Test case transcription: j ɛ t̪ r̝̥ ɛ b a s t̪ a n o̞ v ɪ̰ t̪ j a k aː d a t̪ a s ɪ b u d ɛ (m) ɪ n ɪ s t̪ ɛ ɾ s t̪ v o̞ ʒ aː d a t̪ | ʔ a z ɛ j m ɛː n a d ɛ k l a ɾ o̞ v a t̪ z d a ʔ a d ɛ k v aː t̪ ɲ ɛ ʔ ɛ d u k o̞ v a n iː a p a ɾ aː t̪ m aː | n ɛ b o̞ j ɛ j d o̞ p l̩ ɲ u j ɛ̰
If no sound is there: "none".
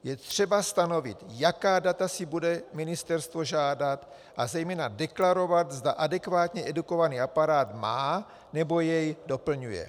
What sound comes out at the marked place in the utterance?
m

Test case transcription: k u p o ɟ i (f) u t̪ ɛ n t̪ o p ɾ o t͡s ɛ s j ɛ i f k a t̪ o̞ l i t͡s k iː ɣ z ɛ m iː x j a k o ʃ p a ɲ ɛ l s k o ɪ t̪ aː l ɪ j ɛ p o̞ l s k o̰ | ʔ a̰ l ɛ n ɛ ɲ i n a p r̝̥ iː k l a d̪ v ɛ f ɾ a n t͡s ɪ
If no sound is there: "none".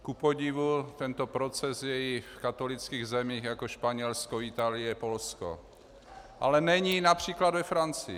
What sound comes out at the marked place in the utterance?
v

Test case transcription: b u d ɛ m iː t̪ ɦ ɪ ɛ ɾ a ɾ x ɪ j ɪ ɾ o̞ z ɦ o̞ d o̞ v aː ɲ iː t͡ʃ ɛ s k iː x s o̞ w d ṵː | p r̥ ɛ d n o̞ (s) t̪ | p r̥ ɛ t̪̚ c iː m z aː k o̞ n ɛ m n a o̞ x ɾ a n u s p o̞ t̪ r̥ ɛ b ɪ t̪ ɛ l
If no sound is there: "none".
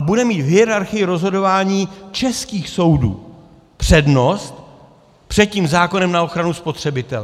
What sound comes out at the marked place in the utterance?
s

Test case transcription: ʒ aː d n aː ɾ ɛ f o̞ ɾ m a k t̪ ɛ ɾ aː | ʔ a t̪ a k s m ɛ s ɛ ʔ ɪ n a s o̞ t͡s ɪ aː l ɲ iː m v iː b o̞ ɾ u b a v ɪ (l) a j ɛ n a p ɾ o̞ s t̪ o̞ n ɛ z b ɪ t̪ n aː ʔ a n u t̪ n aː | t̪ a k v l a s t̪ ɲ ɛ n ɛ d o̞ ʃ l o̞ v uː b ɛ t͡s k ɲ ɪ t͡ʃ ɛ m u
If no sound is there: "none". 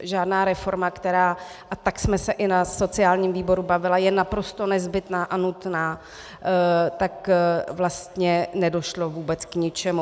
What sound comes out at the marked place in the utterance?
l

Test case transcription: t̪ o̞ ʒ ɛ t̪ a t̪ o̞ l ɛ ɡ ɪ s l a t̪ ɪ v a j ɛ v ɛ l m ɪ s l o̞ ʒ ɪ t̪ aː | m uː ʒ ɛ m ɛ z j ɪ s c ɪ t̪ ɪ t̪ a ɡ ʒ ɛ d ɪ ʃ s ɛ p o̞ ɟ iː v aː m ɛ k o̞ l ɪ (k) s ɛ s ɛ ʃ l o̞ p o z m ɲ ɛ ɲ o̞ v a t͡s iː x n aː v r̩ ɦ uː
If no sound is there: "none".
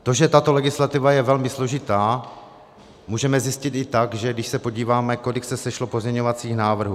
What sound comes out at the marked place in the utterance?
k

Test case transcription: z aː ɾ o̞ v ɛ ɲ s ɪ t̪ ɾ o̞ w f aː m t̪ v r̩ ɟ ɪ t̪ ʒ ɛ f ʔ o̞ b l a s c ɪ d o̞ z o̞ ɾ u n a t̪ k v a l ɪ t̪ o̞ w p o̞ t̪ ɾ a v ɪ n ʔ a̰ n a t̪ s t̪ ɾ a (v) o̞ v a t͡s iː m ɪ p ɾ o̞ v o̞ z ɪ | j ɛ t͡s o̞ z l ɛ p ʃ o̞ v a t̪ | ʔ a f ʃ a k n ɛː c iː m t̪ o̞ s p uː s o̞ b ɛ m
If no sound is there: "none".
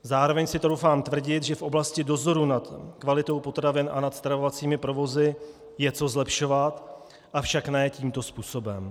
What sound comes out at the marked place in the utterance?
v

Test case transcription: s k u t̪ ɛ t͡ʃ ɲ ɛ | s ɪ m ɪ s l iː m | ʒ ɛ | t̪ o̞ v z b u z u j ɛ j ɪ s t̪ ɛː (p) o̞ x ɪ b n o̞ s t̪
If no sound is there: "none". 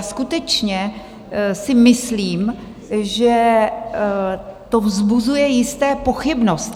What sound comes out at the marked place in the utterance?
p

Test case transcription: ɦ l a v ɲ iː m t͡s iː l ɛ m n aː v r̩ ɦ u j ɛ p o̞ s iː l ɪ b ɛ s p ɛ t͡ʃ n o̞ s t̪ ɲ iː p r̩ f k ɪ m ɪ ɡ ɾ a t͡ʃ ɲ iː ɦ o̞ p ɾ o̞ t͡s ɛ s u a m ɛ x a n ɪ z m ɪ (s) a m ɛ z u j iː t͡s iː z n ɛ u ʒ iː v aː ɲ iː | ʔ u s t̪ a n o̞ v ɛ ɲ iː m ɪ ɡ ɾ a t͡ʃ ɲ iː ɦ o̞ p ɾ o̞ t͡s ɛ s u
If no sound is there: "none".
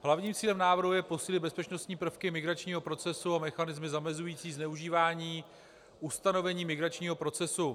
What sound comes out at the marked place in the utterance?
z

